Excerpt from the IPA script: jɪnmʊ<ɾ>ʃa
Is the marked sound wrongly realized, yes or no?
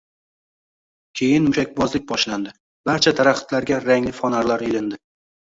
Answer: yes